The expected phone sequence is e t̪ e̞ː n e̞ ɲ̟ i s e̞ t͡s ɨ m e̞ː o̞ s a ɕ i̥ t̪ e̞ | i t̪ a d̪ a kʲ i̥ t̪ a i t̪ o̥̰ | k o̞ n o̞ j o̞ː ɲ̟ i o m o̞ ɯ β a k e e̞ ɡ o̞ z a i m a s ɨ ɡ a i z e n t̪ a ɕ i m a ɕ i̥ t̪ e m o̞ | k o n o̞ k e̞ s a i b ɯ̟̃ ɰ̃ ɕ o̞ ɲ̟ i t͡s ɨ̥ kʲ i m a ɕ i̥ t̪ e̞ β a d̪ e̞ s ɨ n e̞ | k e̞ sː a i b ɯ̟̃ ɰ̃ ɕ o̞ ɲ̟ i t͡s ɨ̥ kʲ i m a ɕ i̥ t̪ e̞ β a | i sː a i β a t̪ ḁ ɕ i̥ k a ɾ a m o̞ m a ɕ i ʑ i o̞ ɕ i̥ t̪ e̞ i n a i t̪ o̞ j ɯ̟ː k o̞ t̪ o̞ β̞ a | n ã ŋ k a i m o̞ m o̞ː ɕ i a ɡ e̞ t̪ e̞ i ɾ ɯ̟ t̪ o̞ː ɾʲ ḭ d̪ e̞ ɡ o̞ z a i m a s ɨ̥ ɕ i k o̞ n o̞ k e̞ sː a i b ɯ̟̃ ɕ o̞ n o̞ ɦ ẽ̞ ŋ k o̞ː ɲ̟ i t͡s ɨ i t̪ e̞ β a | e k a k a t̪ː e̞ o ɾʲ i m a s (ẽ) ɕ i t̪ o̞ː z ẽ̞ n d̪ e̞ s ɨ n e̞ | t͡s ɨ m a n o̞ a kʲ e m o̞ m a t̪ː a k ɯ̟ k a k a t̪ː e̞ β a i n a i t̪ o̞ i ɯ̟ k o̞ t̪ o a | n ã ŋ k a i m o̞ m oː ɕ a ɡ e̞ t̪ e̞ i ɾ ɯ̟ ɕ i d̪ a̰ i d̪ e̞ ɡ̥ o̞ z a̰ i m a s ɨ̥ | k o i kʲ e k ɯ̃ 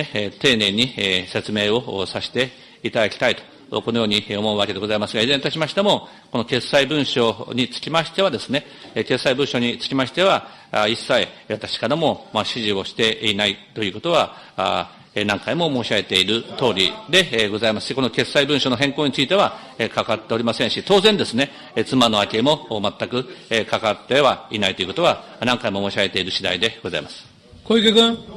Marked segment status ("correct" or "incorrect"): correct